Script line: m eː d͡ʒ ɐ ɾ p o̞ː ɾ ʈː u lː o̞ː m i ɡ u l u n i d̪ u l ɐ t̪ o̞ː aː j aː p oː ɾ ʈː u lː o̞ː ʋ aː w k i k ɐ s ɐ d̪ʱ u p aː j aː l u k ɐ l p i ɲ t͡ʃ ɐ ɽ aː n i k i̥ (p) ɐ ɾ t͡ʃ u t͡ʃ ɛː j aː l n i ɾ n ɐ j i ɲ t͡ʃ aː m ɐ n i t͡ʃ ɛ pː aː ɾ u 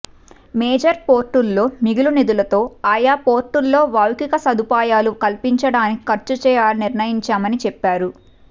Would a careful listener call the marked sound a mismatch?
yes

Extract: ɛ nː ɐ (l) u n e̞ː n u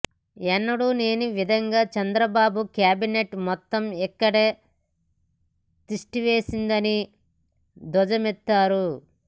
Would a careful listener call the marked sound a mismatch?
yes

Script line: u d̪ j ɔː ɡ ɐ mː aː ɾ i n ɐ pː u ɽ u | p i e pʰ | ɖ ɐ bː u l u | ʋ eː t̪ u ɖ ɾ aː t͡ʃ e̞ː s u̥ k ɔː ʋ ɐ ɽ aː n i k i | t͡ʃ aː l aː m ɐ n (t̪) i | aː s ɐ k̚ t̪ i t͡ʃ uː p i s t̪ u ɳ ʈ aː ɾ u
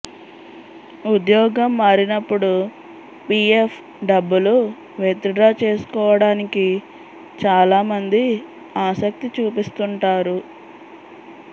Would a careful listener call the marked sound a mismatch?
yes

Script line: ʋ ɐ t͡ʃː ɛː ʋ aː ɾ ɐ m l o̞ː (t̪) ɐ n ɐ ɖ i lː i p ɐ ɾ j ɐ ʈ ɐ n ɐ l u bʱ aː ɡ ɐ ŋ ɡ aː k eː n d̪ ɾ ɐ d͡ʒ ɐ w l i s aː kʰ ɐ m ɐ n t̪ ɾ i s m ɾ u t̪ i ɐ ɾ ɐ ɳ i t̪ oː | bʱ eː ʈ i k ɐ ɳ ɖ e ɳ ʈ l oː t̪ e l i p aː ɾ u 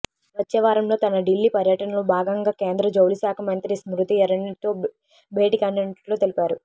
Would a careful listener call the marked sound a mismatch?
no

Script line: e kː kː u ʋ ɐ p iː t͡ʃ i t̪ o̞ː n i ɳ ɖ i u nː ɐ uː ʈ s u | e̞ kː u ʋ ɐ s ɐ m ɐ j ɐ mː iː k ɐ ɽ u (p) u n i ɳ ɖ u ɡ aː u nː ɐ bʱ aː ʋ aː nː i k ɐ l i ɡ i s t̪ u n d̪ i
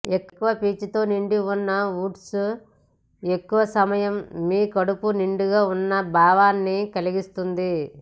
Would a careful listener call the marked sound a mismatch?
no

